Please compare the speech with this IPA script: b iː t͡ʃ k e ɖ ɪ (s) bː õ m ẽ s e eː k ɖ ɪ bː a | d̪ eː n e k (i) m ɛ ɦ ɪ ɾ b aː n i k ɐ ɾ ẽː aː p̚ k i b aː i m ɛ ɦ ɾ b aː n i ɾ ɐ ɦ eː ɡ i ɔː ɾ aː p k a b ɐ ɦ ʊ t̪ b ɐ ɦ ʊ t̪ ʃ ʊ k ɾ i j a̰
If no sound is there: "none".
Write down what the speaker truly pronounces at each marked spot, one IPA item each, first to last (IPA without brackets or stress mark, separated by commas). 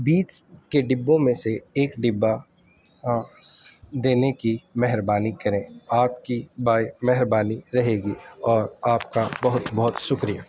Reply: none, i